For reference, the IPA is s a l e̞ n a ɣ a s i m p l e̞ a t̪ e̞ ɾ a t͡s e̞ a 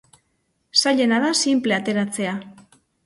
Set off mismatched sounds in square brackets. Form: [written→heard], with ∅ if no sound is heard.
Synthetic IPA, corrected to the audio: s a [l→ʎ] e̞ n a [ɣ→ð] a s i m p l e̞ a t̪ e̞ ɾ a t͡s e̞ a